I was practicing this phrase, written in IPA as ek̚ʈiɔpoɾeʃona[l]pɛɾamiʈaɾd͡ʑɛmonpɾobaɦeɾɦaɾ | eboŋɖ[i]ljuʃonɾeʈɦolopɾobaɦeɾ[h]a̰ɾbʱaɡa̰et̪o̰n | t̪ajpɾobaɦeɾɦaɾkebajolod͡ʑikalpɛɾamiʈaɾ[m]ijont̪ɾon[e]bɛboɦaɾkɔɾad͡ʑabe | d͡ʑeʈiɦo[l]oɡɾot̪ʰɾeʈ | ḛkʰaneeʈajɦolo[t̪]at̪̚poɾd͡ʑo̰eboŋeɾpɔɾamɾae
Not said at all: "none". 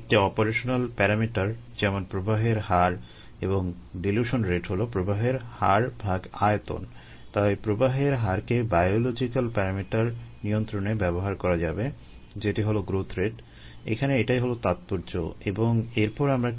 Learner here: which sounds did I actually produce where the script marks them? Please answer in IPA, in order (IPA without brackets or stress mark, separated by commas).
l, i, h, n, e, l, t̪